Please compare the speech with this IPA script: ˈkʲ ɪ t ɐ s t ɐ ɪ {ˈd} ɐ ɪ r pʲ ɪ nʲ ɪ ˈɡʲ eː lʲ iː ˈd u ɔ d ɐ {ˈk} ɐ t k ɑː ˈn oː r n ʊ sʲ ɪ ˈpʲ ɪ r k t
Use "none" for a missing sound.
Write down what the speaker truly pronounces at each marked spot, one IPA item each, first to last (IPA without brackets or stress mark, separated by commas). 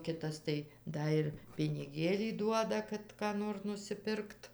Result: d, k